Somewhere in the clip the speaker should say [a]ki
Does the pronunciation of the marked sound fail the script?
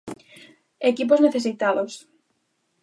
yes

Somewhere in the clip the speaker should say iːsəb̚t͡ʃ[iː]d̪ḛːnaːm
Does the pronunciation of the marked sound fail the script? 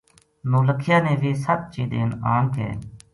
no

